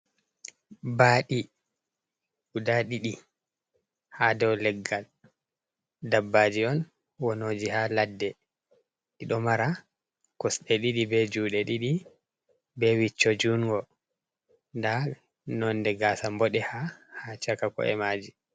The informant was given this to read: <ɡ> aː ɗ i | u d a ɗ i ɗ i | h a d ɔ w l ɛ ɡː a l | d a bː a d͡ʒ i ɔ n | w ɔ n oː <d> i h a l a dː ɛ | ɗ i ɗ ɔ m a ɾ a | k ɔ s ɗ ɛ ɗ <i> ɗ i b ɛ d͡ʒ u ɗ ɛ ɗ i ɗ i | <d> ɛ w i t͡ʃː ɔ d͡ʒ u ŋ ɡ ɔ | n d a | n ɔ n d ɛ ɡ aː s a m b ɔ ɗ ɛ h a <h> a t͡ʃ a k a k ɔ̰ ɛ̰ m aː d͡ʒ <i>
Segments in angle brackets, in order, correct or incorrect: incorrect: b, incorrect: d͡ʒ, correct, incorrect: b, correct, correct

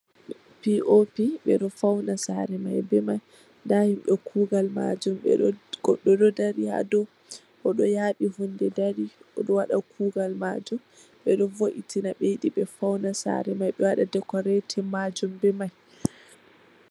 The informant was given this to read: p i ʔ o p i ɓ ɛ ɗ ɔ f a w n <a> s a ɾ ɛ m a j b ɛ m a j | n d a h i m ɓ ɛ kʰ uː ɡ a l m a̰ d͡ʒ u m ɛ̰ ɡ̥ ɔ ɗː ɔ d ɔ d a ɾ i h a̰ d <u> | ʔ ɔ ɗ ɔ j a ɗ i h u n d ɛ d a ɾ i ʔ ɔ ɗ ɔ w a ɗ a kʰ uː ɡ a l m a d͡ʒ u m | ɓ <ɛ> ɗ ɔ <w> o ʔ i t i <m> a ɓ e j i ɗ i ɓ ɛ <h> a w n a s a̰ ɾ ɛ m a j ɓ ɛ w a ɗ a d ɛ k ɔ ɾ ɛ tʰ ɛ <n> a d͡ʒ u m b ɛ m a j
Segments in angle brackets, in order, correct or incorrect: correct, incorrect: ɔ, correct, incorrect: v, incorrect: n, incorrect: f, incorrect: m

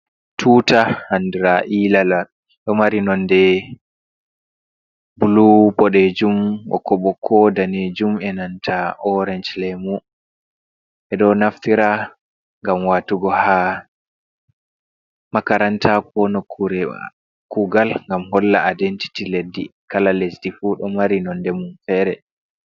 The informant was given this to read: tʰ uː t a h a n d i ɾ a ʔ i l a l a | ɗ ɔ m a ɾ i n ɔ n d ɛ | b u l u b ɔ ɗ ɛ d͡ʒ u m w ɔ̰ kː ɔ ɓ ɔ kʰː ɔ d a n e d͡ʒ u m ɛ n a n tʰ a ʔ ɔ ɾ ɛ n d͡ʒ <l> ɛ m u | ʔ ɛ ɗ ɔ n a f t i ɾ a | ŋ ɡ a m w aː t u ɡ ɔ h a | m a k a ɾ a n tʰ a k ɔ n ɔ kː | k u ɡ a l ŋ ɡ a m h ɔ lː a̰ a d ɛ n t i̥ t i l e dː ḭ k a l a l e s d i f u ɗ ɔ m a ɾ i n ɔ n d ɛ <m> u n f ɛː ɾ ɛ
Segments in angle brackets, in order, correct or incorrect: correct, correct

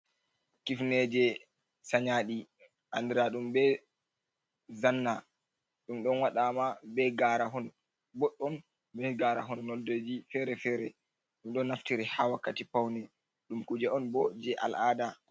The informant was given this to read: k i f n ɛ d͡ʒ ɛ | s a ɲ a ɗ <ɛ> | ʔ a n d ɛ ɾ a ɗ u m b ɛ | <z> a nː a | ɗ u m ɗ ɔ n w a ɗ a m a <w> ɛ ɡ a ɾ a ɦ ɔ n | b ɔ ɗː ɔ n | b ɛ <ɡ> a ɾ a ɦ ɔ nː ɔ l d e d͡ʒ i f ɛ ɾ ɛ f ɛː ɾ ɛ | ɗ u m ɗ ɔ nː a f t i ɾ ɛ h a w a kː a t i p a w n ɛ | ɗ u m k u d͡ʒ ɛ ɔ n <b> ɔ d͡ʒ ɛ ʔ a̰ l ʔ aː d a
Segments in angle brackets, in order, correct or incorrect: incorrect: i, correct, incorrect: b, correct, correct

